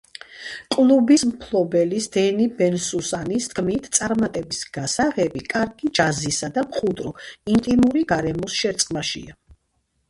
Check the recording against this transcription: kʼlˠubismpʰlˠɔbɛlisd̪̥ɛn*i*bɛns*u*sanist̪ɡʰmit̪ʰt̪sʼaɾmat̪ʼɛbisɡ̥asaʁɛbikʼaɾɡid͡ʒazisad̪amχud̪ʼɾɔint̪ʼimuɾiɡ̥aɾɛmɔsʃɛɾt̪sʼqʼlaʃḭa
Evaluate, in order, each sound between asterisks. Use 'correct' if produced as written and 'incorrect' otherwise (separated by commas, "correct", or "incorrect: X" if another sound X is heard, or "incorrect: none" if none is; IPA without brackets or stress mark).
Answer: correct, correct